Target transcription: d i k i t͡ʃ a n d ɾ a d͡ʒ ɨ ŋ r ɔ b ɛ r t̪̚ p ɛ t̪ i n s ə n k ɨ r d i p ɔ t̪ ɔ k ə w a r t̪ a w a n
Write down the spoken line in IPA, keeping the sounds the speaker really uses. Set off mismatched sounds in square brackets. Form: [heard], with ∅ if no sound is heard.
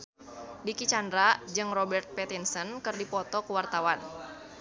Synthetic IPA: d i k i t͡ʃ a n d ɾ a d͡ʒ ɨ ŋ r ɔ b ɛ r t̪̚ p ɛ t̪ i n s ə n k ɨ r d i p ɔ t̪ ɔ k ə w a r t̪ a w a n